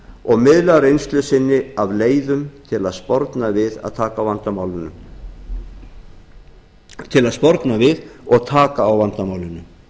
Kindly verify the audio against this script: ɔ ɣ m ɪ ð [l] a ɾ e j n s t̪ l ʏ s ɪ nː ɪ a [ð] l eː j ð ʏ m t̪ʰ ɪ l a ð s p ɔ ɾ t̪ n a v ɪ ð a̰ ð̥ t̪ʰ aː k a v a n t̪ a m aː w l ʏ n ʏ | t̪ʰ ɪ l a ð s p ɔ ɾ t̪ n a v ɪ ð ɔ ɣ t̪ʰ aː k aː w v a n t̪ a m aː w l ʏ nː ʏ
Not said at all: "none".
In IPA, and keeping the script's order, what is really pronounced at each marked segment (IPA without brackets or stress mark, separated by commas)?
l, v